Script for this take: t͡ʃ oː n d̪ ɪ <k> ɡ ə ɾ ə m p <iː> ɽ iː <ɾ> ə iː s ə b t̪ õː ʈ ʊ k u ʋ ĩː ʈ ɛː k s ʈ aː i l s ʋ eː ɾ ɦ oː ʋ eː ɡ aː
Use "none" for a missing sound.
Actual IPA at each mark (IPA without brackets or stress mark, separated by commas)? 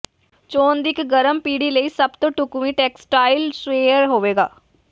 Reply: k, iː, l